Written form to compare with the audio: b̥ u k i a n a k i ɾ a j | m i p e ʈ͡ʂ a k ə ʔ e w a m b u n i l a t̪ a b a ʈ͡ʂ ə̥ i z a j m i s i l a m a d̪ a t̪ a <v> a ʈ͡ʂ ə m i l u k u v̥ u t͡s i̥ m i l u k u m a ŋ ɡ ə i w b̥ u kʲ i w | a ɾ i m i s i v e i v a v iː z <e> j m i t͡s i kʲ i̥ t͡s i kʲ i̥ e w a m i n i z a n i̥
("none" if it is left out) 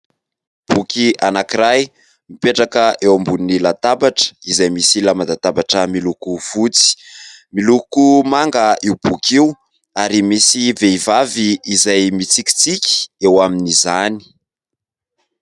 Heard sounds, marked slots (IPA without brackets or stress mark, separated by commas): b, a